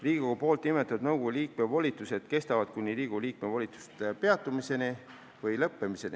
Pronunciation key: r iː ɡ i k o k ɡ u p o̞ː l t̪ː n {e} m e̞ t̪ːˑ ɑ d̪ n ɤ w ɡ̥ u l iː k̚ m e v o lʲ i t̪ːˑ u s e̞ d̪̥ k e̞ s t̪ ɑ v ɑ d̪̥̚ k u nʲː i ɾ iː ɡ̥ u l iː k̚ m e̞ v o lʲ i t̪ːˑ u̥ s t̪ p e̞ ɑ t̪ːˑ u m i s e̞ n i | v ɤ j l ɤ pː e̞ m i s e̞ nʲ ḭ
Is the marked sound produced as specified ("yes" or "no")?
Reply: no